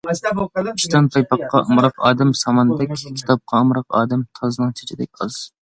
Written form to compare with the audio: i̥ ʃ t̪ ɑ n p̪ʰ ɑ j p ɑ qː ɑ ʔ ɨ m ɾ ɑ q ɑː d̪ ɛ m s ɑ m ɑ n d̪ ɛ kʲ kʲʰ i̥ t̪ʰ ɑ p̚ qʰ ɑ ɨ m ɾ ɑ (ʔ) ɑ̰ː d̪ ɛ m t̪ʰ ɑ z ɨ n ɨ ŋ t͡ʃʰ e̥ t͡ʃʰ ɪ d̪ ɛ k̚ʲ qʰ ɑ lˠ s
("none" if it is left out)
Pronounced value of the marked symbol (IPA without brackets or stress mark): q